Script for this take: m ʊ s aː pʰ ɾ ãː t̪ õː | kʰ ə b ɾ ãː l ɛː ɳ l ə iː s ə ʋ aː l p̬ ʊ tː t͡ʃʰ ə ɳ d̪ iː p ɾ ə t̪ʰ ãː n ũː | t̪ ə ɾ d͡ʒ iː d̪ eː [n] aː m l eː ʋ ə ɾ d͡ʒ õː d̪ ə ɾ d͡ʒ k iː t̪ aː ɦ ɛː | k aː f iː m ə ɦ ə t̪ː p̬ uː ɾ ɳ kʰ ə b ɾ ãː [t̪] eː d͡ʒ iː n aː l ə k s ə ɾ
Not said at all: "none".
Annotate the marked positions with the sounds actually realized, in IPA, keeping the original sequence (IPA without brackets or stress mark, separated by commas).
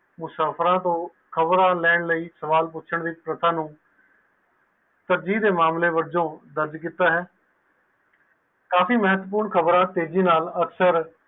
m, t̪